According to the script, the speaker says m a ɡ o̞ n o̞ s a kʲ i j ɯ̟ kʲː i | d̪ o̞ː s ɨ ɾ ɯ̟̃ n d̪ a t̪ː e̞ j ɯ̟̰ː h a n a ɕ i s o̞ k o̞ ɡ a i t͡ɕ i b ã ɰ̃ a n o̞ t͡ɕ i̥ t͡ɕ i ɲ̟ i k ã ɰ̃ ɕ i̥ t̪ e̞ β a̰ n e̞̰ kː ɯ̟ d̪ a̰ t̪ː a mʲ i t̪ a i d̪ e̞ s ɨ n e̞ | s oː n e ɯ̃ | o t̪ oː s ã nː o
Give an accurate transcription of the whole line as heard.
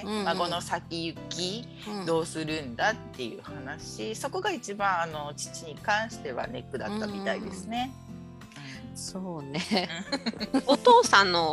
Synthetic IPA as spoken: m a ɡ o̞ n o̞ s a kʲ i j ɯ̟ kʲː i | d̪ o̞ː s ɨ ɾ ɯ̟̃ n d̪ a t̪ː e̞ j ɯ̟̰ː h a n a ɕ i s o̞ k o̞ ɡ a i t͡ɕ i b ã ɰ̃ a n o̞ t͡ɕ i̥ t͡ɕ i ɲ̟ i k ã ɰ̃ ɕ i̥ t̪ e̞ β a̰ n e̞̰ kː ɯ̟ d̪ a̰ t̪ː a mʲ i t̪ a i d̪ e̞ s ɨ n e̞ | s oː n e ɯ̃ | o t̪ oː s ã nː o